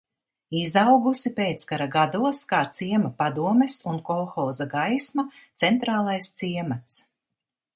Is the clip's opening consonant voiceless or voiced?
voiced